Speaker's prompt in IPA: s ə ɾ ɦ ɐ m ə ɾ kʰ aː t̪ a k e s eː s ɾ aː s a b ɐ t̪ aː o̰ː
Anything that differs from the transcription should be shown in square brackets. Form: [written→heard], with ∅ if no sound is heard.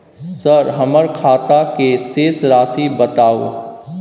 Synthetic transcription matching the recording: s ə ɾ ɦ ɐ m ə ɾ kʰ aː t̪ a k e s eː s ɾ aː s [a→i] b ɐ t̪ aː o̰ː